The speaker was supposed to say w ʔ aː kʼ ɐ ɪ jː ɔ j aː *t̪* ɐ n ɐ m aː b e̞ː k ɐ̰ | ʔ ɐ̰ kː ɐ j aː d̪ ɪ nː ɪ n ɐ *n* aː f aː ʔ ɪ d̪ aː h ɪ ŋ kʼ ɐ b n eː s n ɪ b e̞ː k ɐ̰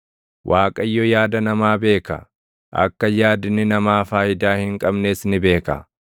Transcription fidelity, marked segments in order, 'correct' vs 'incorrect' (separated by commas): incorrect, incorrect